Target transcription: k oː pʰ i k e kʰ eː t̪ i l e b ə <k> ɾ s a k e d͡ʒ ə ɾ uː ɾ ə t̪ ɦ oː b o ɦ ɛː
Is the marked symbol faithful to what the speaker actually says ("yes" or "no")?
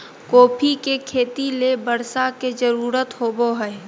no